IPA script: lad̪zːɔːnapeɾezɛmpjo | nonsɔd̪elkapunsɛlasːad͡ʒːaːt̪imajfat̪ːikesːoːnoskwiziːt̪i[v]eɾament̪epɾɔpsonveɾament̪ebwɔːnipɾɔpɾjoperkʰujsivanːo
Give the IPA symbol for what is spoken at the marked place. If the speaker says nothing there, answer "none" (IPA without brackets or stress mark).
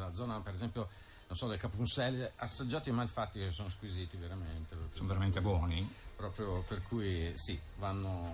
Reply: v